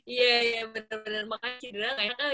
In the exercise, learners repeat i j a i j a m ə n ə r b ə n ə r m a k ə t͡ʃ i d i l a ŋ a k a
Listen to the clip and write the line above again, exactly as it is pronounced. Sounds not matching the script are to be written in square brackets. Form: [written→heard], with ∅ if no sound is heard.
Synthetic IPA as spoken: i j a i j a [m→b] ə n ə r b ə n ə r m a k [ə→a] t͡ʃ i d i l a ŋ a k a